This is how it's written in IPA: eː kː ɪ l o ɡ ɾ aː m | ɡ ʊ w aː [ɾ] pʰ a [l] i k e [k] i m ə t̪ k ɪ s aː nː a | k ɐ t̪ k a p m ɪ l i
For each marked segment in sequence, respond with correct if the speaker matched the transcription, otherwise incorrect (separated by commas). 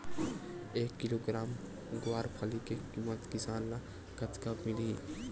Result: correct, correct, correct